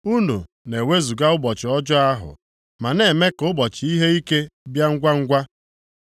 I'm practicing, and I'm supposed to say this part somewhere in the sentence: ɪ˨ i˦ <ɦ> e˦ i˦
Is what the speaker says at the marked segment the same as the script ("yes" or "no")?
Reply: yes